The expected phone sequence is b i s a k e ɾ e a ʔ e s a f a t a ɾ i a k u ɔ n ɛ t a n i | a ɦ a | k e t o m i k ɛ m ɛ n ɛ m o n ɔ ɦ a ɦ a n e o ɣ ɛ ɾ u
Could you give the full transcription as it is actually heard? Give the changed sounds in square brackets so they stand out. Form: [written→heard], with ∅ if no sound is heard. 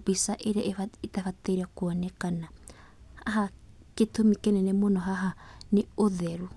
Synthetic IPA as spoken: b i s a [k→ʔ] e ɾ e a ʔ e [s→t] a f a t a ɾ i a k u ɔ n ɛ [t→k] a n [i→a] | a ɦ a | k e t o m i k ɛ [m→n] ɛ n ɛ m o n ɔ ɦ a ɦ a n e o [ɣ→ð] ɛ ɾ u

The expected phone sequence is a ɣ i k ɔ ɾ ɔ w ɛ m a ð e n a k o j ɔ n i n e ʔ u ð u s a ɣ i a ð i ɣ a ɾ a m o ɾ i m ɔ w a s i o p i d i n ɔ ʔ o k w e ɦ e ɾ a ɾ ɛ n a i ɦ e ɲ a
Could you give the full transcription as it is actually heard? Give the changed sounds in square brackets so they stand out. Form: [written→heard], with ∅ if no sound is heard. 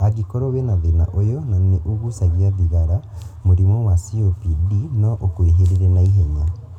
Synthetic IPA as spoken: a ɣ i k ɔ ɾ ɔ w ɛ [m→n] a ð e n a [k→ʔ] o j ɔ n [i→a] n e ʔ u [ð→ɣ] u s a ɣ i a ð i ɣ a ɾ a m o ɾ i m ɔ w a s i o p i d i n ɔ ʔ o k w e ɦ e ɾ [a→e] ɾ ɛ n a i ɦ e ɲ a

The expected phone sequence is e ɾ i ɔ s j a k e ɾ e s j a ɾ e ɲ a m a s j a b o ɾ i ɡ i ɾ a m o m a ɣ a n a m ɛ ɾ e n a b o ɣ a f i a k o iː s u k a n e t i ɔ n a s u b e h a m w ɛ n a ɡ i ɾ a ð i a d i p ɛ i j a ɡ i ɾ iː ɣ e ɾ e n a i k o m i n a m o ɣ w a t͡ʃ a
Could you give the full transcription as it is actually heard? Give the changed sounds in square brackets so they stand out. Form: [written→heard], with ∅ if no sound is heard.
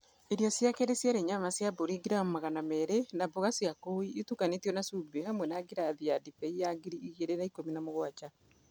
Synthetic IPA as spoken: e ɾ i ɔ s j a k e ɾ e s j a ɾ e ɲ a m a s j a b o ɾ i ɡ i ɾ a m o m a ɣ a n a m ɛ ɾ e n a b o ɣ a [f→s] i a k o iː [s→t] u k a n e t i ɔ n a s u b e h a m w ɛ n a ɡ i ɾ a ð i a d i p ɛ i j a ɡ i ɾ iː ɣ e ɾ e n a i k o m i n a m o ɣ w a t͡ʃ a

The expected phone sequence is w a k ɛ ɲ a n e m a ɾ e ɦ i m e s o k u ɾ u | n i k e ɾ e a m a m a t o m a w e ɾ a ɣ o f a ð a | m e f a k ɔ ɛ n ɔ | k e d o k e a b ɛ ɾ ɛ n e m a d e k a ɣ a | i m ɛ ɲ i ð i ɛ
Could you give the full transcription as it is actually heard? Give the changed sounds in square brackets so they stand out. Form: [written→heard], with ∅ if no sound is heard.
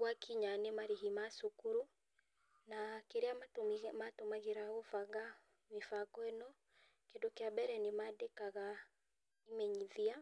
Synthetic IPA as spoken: w a k [ɛ→i] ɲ a n e m a ɾ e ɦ i m [e→a] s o k u ɾ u | n [i→a] k e ɾ e a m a m a t o m a [w→ɣ] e ɾ a ɣ o f a [ð→ɣ] a | m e f a k ɔ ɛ n ɔ | k e d o k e a b ɛ ɾ ɛ n e m a d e k a ɣ a | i m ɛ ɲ i ð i [ɛ→a]

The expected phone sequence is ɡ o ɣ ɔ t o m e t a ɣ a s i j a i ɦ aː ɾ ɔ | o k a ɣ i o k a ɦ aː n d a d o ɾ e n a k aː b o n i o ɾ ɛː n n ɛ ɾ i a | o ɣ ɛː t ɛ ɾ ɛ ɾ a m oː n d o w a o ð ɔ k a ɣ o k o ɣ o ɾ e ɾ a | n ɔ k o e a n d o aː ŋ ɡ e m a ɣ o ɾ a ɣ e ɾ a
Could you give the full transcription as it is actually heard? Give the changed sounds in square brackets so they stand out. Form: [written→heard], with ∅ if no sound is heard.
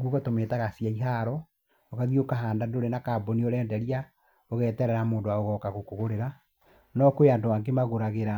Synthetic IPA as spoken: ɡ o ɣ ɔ t o m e t a ɣ a s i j a i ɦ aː ɾ ɔ | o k a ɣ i o k a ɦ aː n d a d o ɾ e n a k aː b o n i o ɾ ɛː n [n→d] ɛ ɾ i a | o ɣ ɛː t ɛ ɾ ɛ ɾ a m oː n d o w a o [ð→ɣ] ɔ k a ɣ o k o ɣ o ɾ e ɾ a | n ɔ k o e a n d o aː ŋ ɡ e m a ɣ o ɾ a ɣ e ɾ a

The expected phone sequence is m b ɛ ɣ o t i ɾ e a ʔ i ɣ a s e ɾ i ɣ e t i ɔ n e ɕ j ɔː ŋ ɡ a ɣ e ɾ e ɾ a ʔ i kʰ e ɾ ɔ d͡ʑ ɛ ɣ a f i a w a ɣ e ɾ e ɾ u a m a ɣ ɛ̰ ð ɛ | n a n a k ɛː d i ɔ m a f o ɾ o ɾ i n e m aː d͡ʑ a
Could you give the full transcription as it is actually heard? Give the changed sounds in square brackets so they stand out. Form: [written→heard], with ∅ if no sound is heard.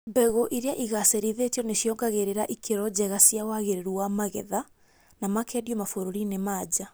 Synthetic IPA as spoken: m b ɛ ɣ o [t→ʔ] i ɾ e a ʔ i ɣ a s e ɾ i [ɣ→ð] e t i ɔ n e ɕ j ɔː ŋ ɡ a ɣ e ɾ e ɾ a ʔ i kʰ e ɾ ɔ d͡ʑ ɛ ɣ a [f→s] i a w a ɣ e ɾ e ɾ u a m a ɣ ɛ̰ ð [ɛ→a] | n a [n→m] a k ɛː d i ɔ m a f o ɾ o ɾ i n e m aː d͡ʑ a

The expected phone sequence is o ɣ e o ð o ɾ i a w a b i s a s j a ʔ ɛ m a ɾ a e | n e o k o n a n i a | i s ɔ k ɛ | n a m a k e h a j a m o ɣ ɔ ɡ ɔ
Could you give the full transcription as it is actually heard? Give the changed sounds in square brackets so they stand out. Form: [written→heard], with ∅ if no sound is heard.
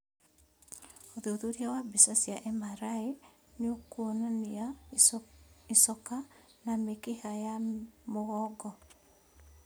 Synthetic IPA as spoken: o [ɣ→ð] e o ð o ɾ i a w a b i s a s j a ʔ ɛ m a ɾ a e | n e o k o n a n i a | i s ɔ k [ɛ→a] | n a m [a→e] k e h a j a m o ɣ ɔ ɡ ɔ

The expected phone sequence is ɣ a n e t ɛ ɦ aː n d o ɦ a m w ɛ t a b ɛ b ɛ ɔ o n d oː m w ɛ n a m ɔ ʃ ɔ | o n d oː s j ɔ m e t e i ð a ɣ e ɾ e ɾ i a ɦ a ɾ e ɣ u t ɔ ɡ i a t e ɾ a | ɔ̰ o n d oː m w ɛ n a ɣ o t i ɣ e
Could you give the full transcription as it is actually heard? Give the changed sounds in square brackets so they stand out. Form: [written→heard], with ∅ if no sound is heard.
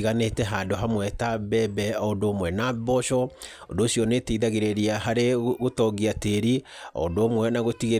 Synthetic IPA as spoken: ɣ a n e t ɛ ɦ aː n d o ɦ a m w ɛ t a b ɛ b ɛ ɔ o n d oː m w ɛ n a [m→b] ɔ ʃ ɔ | o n d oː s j ɔ [m→n] e t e i ð a ɣ e ɾ e ɾ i a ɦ a ɾ e ɣ [u→o] t ɔ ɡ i a t e ɾ [a→i] | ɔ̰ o n d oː m w ɛ n a ɣ o t i ɣ e

